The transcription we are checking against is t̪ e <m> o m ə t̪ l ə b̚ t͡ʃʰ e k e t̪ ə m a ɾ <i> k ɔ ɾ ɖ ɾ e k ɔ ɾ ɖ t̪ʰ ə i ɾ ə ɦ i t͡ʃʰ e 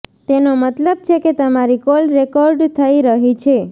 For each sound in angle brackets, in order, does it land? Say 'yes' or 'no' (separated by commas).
no, yes